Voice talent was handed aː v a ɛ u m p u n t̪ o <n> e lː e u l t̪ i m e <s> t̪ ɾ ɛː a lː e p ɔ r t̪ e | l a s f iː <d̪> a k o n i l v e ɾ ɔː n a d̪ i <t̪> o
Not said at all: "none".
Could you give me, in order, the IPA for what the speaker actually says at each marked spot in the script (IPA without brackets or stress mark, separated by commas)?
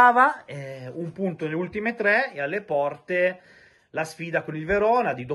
n, none, d̪, d̪